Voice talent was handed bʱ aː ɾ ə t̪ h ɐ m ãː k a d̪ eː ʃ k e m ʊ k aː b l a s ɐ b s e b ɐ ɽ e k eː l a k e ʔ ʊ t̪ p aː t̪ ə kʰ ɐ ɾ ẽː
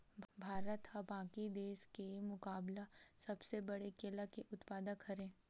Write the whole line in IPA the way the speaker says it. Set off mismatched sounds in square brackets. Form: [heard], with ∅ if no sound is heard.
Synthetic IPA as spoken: bʱ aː ɾ ə t̪ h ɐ [b] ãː k [i] d̪ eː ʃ k e m ʊ k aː b l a s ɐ b s e b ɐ ɽ e k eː l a k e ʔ ʊ t̪ p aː [d̪] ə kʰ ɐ ɾ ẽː